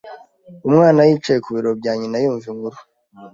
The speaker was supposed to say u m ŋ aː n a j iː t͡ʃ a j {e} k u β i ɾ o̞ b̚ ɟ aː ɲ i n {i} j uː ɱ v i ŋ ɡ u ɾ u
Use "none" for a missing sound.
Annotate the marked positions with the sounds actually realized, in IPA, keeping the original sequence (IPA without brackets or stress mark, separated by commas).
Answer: e, a